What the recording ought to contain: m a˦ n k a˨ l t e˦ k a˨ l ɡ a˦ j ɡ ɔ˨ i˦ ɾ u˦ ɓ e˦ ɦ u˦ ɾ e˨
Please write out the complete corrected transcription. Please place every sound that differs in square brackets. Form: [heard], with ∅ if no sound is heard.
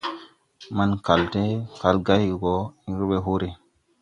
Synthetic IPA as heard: m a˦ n k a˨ l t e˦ k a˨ l ɡ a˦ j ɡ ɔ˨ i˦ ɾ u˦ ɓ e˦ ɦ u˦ ɾ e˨